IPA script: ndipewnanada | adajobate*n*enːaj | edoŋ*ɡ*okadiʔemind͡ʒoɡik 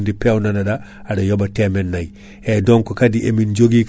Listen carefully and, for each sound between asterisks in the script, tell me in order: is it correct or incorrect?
incorrect, incorrect

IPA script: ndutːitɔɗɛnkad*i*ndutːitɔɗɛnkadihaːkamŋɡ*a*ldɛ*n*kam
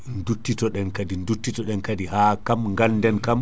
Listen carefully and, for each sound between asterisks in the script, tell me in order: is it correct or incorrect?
correct, correct, correct

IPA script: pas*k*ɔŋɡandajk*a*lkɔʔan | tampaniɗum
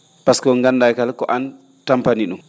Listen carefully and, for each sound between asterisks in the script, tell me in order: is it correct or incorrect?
correct, correct

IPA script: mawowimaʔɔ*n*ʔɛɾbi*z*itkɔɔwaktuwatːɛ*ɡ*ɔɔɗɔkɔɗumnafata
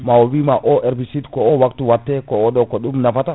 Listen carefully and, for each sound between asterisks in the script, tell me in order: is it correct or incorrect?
incorrect, incorrect, incorrect

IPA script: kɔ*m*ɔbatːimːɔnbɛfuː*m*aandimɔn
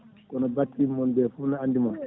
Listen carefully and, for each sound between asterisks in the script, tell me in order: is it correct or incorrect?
incorrect, incorrect

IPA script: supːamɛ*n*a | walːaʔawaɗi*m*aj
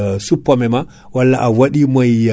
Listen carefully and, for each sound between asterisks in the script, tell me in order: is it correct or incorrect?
incorrect, correct

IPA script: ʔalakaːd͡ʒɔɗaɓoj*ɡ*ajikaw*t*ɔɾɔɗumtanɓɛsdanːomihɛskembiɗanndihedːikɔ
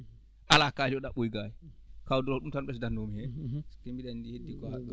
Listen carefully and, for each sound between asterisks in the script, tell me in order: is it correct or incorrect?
correct, incorrect

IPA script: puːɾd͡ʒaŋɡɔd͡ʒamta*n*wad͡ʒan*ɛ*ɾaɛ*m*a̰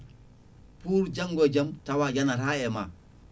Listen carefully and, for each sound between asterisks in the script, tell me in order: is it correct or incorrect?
incorrect, incorrect, correct

